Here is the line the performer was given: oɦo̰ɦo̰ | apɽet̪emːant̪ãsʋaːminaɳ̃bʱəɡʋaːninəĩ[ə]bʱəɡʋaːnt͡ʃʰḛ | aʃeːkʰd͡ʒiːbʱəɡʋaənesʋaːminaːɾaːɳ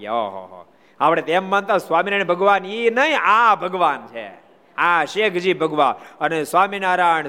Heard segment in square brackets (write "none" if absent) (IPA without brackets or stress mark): a